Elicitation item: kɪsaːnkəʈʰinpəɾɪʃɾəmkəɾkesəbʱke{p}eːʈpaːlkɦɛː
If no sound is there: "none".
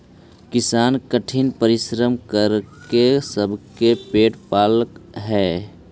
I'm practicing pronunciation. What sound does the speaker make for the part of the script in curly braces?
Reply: p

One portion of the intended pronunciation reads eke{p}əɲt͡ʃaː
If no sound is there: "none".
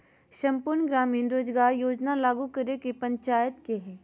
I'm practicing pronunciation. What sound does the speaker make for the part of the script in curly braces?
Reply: p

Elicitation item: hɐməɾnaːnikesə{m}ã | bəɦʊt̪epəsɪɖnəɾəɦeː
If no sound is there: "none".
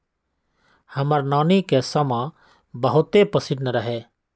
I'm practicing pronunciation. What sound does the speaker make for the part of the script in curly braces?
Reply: m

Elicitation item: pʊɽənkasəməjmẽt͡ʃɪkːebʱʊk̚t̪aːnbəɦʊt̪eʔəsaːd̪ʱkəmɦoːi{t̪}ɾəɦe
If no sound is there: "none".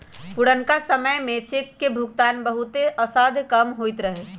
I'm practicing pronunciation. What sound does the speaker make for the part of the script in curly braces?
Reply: t̪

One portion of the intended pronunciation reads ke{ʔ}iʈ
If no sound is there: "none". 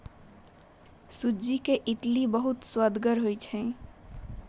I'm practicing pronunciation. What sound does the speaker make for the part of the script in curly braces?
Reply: ʔ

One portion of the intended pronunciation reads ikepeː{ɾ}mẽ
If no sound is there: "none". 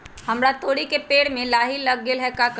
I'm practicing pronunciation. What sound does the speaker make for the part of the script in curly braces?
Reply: ɽ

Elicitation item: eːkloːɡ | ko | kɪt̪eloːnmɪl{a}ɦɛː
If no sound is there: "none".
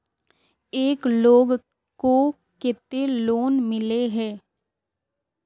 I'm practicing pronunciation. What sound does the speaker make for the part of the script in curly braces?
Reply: e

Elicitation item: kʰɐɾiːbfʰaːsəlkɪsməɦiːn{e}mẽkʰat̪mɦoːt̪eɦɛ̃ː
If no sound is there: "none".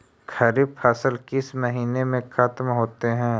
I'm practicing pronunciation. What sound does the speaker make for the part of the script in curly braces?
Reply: e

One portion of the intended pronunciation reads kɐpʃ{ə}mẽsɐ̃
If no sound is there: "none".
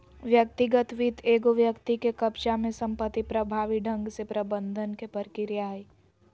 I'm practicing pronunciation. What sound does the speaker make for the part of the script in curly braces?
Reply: a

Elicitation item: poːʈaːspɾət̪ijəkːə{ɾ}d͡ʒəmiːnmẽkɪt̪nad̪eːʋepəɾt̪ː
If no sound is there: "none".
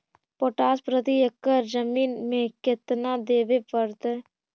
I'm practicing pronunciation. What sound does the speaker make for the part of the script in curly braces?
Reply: ɾ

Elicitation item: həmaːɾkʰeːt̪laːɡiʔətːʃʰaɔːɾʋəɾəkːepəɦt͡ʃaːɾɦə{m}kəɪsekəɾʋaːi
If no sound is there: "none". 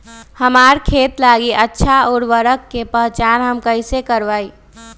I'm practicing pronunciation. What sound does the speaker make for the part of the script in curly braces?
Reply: m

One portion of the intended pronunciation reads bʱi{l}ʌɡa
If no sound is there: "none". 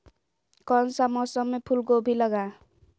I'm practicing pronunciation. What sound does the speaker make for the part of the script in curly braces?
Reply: l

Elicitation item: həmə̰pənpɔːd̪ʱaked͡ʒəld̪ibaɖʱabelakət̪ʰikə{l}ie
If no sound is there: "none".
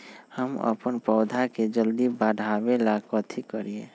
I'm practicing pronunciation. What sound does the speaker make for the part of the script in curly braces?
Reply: ɾ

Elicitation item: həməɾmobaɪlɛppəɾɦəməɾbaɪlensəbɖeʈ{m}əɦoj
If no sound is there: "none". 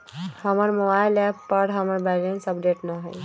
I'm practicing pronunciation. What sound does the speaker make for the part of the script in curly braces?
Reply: n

